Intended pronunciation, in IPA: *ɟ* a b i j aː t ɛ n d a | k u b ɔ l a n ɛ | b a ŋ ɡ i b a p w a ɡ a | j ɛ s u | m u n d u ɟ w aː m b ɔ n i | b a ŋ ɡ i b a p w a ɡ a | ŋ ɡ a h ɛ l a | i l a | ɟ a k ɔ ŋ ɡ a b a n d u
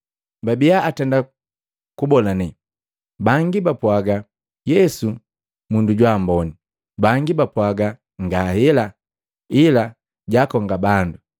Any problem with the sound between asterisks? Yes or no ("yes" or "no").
yes